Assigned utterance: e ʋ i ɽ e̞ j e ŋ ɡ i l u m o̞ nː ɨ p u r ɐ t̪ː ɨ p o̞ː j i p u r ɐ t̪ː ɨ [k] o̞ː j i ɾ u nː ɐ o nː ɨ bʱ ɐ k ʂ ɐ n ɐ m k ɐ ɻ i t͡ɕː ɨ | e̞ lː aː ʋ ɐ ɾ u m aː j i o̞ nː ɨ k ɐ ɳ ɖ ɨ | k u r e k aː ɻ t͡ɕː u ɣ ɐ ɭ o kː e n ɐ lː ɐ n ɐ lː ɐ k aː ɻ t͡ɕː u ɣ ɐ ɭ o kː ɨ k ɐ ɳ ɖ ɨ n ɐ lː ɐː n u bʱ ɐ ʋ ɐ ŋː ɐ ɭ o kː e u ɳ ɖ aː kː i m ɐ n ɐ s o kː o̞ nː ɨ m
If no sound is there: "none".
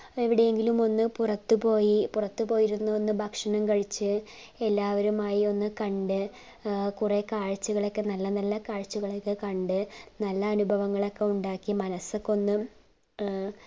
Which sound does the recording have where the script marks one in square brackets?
p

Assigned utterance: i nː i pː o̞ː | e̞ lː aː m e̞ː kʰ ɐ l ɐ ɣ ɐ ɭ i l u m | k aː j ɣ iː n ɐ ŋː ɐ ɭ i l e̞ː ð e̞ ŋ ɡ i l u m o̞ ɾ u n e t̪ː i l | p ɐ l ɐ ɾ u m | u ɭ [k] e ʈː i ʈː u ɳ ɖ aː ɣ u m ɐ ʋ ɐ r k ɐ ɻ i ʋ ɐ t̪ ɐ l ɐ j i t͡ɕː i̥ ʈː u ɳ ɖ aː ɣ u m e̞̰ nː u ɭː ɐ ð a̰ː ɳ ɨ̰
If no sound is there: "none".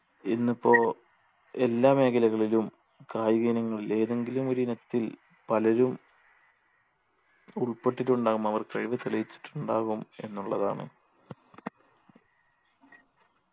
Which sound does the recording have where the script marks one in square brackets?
p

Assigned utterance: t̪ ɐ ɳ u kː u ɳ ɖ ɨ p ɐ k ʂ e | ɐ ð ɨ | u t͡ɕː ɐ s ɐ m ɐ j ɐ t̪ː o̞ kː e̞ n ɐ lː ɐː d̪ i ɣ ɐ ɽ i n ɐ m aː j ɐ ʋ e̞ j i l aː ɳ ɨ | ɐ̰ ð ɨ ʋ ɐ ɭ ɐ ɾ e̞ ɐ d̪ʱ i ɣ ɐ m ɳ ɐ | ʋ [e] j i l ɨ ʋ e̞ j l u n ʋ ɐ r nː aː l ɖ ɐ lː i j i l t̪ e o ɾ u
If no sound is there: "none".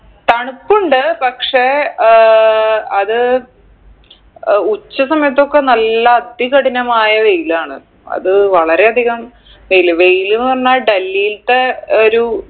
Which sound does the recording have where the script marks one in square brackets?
e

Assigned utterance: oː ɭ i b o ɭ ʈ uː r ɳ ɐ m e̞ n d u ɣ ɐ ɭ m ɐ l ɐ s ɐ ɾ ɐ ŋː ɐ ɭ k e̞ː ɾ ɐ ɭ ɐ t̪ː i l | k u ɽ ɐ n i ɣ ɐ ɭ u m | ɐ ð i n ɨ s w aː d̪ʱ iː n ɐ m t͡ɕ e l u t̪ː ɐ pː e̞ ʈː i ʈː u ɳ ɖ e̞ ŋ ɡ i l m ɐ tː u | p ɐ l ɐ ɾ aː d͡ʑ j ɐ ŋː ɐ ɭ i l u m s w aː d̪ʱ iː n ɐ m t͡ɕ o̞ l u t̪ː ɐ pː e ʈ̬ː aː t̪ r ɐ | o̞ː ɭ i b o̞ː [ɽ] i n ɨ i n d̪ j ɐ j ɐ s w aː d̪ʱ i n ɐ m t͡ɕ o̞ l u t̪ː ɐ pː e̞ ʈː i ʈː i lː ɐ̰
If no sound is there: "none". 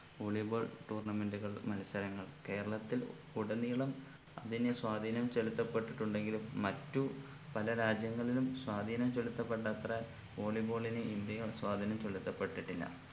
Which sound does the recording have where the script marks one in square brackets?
ɭ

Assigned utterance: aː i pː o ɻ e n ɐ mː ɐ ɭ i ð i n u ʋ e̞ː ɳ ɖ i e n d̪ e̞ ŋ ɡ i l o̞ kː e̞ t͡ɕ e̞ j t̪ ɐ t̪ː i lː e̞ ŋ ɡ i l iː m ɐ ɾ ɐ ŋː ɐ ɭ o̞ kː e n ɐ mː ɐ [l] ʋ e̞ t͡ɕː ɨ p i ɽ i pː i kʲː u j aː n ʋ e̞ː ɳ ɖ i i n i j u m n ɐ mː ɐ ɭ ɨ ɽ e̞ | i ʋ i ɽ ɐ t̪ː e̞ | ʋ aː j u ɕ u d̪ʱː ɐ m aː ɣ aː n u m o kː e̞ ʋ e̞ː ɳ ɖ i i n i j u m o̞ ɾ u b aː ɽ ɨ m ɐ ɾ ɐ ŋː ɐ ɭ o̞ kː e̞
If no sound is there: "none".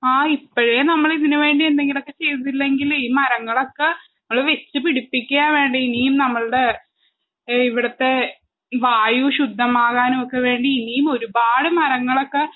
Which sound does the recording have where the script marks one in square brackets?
ɭ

